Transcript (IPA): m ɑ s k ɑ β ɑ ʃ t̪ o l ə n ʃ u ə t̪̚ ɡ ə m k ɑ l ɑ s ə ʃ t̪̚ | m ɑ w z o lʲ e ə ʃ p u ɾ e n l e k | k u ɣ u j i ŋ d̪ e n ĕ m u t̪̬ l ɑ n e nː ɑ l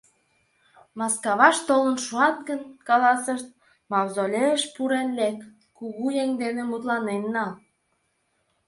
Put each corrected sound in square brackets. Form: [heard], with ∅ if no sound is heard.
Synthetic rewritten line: m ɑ s k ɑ β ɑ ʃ t̪ o l ə n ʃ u [ɑ] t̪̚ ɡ ə [n] k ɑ l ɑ s ə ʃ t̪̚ | m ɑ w z o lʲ e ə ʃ p u ɾ e n l e k | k u ɣ u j [e] ŋ d̪ e n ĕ m u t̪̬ l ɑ n e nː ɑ l